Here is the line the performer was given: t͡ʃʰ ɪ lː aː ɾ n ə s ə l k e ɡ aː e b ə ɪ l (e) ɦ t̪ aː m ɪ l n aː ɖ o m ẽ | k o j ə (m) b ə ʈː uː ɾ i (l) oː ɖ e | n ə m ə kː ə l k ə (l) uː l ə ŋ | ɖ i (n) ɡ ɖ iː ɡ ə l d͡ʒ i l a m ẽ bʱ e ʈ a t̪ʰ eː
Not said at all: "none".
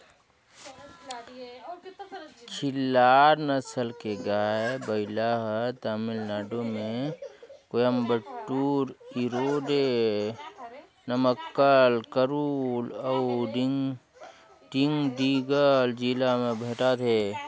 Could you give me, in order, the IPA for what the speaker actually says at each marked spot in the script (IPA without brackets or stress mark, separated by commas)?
a, m, ɾ, ɾ, ŋ